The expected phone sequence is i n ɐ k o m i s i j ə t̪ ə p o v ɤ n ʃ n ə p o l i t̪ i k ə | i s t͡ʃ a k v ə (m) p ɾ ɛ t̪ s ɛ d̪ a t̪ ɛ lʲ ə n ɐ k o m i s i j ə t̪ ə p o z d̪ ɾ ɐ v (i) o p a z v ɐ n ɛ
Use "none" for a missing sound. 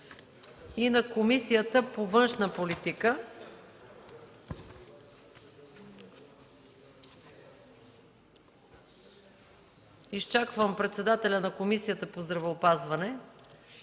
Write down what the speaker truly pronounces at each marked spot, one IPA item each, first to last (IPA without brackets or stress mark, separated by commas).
m, ɛ